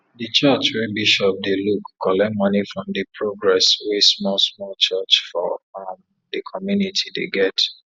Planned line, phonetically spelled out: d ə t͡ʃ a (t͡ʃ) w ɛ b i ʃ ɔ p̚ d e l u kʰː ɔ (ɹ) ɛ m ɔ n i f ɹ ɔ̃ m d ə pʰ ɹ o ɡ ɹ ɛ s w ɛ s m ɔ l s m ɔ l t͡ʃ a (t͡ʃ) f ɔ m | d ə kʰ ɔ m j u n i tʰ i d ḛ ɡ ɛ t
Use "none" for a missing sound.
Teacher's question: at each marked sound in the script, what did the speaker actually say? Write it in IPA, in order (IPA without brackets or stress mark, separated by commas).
t͡ʃ, l, t͡ʃ